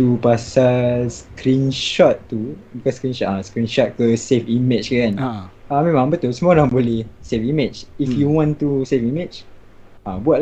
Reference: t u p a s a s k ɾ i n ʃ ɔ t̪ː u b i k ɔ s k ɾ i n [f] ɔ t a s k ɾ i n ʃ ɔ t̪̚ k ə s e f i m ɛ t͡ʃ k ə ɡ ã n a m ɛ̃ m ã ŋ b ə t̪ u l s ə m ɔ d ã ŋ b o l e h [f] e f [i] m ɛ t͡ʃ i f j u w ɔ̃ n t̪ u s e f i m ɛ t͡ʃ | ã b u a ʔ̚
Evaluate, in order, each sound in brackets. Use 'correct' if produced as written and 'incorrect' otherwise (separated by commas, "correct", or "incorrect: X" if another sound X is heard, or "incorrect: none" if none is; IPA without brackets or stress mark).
incorrect: ʃ, incorrect: s, correct